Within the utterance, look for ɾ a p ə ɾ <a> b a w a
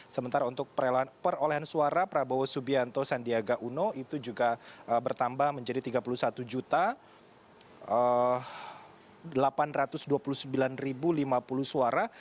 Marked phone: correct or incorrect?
correct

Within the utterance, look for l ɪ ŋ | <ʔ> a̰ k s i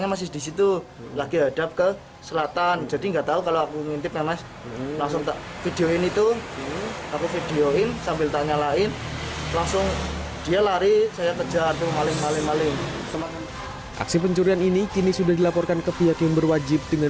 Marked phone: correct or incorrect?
correct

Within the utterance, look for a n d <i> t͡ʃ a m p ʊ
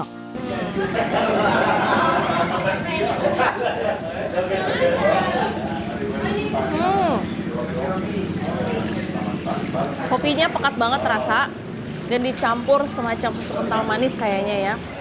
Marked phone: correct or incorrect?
correct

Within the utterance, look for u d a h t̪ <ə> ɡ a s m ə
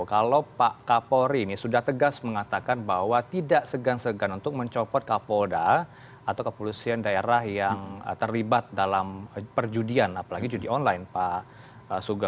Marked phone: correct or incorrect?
correct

